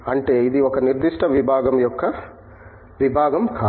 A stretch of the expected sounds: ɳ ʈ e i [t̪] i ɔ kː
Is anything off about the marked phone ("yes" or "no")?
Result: yes